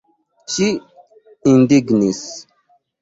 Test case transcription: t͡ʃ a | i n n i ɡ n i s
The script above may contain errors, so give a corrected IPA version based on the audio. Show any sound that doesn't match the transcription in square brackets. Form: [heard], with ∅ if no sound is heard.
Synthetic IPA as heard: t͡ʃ [i] | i n [d] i ɡ n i s

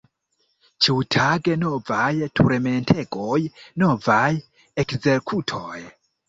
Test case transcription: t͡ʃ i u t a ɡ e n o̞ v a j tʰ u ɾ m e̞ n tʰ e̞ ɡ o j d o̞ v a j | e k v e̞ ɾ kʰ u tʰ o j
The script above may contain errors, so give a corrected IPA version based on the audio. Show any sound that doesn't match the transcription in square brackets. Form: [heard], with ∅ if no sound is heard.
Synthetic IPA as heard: t͡ʃ i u [tʰ] a ɡ e n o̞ v a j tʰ u ɾ m e̞ n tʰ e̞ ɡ o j [n] o̞ v a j | e k [z] e̞ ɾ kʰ u tʰ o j

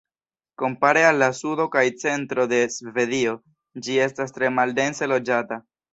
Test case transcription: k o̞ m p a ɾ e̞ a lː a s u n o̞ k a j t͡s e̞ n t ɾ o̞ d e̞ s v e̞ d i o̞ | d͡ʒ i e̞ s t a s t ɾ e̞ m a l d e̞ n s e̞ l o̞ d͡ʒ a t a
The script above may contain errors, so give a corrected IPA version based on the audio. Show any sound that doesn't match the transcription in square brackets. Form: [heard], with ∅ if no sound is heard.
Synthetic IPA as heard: k o̞ m p a ɾ e̞ a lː a s u [d] o̞ k a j t͡s e̞ n t ɾ o̞ d e̞ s v e̞ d i o̞ | d͡ʒ i e̞ s t a s t ɾ e̞ m a l d e̞ n s e̞ l o̞ d͡ʒ a t a

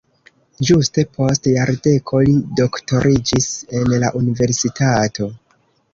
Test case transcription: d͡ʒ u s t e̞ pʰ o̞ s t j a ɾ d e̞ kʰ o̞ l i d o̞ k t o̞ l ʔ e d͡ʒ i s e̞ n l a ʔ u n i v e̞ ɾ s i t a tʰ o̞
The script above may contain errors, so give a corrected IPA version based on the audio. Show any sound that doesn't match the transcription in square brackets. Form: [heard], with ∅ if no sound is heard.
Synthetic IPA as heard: d͡ʒ u s t e̞ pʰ o̞ s t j a ɾ d e̞ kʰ o̞ l i d o̞ k t o̞ [ɾ] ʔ [i] d͡ʒ i s e̞ n l a ʔ u n i v e̞ ɾ s i t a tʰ o̞

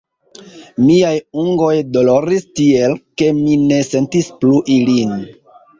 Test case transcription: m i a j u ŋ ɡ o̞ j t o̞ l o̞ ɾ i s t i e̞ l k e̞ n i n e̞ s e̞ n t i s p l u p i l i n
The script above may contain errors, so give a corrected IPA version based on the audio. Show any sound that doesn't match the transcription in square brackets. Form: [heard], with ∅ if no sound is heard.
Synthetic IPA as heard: m i a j u ŋ ɡ o̞ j [d] o̞ l o̞ ɾ i s t i e̞ l k e̞ [m] i n e̞ s e̞ n t i s p l u [ʔ] i l i n

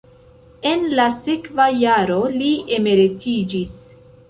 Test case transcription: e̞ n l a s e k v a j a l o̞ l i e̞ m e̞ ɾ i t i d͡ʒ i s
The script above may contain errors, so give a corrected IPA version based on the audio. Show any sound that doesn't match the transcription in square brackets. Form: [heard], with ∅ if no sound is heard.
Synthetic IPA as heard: e̞ n l a s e k v a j a [ɾ] o̞ l i e̞ m e̞ ɾ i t i d͡ʒ i s

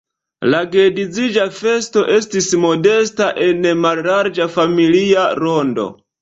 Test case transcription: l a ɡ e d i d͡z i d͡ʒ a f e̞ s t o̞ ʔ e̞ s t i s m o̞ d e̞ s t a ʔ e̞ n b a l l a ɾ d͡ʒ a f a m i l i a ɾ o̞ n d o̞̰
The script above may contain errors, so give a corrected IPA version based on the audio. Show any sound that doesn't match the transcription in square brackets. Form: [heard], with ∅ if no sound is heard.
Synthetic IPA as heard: l a ɡ e d i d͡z i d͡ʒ a f e̞ s t o̞ ʔ e̞ s t i s m o̞ d e̞ s t a ʔ e̞ n [m] a l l a ɾ d͡ʒ a f a m i l i a ɾ o̞ n d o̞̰

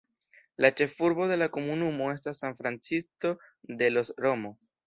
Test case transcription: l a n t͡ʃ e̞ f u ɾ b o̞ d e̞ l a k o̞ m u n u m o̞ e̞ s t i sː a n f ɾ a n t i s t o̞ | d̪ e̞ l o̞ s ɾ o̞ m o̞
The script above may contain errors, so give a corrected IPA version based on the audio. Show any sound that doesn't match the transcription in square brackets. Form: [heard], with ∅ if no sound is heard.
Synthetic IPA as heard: l a [∅] t͡ʃ e̞ f u ɾ b o̞ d e̞ l a k o̞ m u n u m o̞ e̞ s t [a] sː a n f ɾ a n [t͡s] i s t o̞ | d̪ e̞ l o̞ s ɾ o̞ m o̞

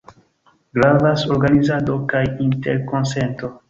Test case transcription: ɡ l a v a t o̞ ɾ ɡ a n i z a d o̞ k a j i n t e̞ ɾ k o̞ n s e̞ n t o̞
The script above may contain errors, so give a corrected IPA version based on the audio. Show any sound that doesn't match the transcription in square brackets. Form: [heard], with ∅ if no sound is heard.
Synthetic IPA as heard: ɡ [ɾ] a v a [s] o̞ ɾ ɡ a n i z a d o̞ k a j i n t e̞ ɾ k o̞ n s e̞ n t o̞

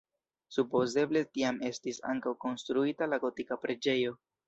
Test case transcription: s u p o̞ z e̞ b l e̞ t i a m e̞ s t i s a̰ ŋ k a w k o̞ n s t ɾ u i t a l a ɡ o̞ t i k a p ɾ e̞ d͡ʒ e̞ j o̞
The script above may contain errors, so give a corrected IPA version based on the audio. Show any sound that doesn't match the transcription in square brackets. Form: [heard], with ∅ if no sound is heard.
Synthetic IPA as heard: s u p o̞ z e̞ b l e̞ t i a m e̞ s t i s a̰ ŋ k a w k o̞ n s t ɾ u i t a l a ɡ o̞ t i k a p ɾ e̞ d͡ʒ e̞ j o̞

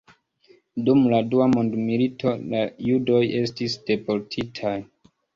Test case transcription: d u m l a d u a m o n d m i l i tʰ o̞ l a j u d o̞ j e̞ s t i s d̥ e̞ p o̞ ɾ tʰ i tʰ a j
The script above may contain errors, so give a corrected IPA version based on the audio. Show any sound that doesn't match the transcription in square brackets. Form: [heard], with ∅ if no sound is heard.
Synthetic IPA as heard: d u m l a d u a m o n d m i l i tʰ o̞ l a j u d o̞ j e̞ s t i s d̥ e̞ p o̞ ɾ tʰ i tʰ a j

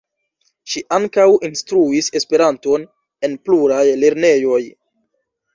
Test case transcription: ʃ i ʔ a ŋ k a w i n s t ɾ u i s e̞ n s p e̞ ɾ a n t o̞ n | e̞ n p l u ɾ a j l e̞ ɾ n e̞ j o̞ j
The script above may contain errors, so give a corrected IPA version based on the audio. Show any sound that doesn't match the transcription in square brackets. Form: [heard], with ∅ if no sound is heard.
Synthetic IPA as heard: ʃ i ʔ a ŋ k a w i n s t ɾ u i s e̞ [∅] s p e̞ ɾ a n t o̞ n | e̞ n p l u ɾ a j l e̞ ɾ n e̞ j o̞ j

